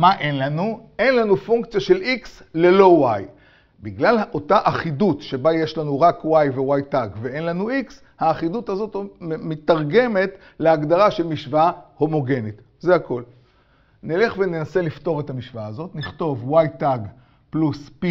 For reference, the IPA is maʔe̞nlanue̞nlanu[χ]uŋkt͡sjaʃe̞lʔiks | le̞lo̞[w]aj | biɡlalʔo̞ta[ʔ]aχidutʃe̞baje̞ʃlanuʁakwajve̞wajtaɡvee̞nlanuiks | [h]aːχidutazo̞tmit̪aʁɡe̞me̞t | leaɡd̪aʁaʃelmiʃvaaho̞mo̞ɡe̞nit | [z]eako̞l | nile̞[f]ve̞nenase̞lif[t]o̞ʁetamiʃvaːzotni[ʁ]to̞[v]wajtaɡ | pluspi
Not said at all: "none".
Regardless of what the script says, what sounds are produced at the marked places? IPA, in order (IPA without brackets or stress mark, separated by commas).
f, w, ʔ, h, z, χ, t, χ, v